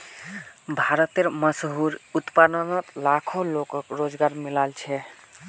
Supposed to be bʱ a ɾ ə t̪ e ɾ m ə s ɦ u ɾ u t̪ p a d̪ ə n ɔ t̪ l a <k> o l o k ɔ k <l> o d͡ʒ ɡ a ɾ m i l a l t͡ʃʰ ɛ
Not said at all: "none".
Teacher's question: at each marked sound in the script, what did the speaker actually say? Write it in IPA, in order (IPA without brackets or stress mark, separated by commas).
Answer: kʰ, ɾ